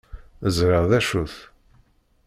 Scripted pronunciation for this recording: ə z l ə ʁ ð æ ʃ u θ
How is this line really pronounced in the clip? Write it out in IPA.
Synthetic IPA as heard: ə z ɾ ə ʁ ð æ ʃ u θ